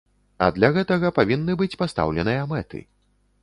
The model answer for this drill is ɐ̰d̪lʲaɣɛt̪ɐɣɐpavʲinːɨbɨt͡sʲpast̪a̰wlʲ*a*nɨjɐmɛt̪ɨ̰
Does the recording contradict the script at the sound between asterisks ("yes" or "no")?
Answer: yes